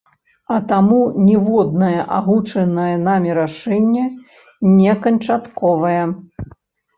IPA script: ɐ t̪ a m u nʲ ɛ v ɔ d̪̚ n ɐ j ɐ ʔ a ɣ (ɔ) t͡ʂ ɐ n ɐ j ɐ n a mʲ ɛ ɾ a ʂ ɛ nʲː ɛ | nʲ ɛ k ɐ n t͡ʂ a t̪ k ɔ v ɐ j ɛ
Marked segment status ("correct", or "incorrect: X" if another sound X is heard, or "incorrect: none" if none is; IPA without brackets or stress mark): incorrect: u